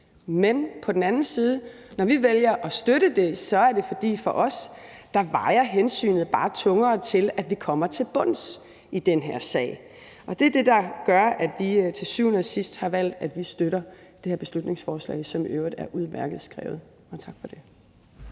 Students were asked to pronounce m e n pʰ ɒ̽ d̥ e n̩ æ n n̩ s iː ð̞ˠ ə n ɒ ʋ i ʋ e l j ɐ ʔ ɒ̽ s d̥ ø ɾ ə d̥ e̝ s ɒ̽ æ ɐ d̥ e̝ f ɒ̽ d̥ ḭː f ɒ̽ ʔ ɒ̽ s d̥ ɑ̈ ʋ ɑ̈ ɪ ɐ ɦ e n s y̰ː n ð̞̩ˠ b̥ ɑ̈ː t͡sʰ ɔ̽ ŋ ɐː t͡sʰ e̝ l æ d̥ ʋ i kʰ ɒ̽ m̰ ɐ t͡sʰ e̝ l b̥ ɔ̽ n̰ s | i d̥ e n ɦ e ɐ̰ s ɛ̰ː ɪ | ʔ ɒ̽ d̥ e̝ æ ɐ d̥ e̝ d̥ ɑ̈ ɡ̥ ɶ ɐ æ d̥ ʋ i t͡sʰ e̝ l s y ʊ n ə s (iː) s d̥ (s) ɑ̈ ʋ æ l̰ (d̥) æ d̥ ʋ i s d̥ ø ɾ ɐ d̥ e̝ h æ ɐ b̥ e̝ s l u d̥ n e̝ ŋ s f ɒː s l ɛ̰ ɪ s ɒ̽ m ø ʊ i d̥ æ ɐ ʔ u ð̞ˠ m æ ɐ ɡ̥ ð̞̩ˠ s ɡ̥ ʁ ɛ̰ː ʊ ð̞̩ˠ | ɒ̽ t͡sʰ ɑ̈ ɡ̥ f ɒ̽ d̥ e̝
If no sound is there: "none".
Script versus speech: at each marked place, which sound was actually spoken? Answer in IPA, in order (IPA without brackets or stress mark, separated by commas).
i, h, d̥